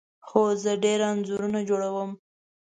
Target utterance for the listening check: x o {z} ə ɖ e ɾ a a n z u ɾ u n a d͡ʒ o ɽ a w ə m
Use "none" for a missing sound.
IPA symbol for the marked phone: z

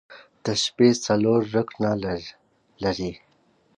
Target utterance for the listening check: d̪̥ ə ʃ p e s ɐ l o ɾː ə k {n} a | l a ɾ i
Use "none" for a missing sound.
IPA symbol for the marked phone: n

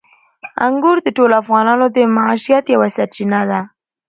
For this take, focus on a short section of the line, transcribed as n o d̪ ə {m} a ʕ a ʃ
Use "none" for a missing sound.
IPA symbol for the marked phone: m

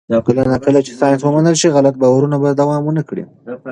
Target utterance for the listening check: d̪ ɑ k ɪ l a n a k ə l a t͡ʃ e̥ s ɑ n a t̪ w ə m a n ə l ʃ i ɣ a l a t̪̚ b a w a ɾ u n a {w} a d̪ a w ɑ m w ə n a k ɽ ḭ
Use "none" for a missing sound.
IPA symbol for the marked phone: b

